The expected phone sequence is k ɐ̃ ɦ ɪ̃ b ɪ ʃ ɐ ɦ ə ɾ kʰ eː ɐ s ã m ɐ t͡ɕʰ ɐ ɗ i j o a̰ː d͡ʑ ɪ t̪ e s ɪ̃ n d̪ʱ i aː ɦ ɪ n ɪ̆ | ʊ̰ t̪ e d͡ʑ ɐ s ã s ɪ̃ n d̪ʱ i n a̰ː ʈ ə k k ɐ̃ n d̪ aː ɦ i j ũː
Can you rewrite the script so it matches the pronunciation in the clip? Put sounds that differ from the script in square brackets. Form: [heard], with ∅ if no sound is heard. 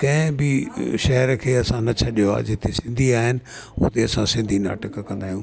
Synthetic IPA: k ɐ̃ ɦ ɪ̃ b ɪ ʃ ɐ ɦ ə ɾ kʰ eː ɐ s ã [n] ɐ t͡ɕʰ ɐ ɗ i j o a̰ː d͡ʑ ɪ t̪ e s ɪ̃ n d̪ʱ i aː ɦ ɪ n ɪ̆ | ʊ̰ t̪ e [∅] ɐ s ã s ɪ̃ n d̪ʱ i n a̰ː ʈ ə k k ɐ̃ n d̪ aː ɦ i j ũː